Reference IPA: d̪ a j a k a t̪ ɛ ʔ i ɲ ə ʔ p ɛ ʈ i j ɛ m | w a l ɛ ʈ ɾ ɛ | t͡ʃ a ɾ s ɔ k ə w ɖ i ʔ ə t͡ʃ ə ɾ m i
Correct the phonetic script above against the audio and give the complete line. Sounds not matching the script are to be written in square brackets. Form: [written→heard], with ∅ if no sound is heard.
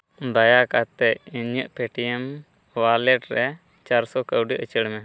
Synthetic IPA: d̪ a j a k a t̪ ɛ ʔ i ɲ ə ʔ p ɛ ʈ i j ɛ m | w a l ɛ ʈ ɾ ɛ | t͡ʃ a ɾ s ɔ k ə w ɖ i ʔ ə t͡ʃ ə [ɾ→ɽ] m [i→ɛ]